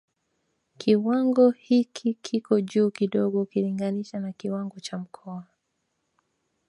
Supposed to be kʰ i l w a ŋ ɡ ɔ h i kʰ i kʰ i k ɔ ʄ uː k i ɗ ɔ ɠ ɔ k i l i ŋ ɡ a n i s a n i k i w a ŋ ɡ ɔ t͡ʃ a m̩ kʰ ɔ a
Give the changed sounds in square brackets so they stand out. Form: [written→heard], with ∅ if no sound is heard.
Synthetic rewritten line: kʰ i [l→∅] w a ŋ ɡ ɔ h i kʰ i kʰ i k ɔ ʄ uː k i ɗ ɔ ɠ ɔ k i l i ŋ ɡ a n i [s→ʃ] a n [i→a] k i w a ŋ ɡ ɔ t͡ʃ a m̩ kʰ ɔ a